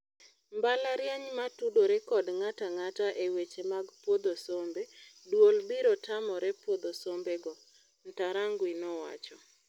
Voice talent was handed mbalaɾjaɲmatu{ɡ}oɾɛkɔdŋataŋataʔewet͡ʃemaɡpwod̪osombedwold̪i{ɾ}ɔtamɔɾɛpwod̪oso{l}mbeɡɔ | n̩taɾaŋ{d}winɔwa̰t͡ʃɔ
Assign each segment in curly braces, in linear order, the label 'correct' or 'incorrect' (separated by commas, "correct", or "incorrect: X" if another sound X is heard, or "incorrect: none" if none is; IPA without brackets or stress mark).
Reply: incorrect: d, correct, incorrect: none, incorrect: ɡ